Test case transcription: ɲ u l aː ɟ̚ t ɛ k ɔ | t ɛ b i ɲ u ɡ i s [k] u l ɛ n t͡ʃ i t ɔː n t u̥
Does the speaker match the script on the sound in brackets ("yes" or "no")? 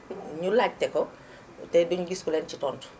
yes